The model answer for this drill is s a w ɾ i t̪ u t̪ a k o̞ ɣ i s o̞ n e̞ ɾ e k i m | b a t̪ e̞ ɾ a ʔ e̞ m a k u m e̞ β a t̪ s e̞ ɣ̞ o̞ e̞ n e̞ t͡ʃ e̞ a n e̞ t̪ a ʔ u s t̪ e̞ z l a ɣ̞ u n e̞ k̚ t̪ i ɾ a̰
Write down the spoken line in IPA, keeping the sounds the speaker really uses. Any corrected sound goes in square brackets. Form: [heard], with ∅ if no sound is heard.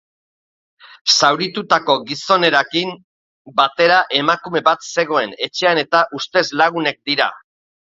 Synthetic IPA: s a w ɾ i t̪ u t̪ a k o̞ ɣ i s o̞ n e̞ ɾ [a] k i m | b a t̪ e̞ ɾ a ʔ e̞ m a k u m e̞ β a t̪ s e̞ ɣ̞ o̞ e̞ n e̞ t͡ʃ e̞ a n e̞ t̪ a ʔ u s t̪ e̞ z l a ɣ̞ u n e̞ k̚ [d̪] i ɾ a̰